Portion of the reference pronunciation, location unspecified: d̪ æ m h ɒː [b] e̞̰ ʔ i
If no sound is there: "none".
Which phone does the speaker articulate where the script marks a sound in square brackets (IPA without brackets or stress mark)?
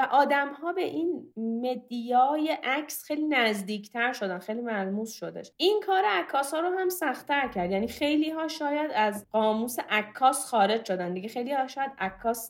b